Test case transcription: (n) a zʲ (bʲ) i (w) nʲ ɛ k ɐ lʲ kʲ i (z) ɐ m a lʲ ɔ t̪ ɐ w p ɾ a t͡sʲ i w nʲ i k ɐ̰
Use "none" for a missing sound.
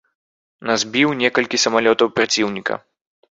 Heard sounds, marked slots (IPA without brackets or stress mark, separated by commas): n, bʲ, w, s